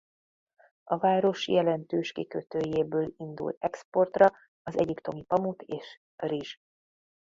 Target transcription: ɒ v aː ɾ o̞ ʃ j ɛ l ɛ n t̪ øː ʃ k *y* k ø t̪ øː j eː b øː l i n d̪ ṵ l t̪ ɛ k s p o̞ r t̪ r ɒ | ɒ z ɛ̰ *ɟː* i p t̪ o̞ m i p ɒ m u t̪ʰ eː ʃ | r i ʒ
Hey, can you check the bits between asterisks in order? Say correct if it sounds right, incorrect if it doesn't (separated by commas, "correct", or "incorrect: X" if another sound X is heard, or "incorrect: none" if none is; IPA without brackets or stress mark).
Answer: incorrect: i, incorrect: ɟ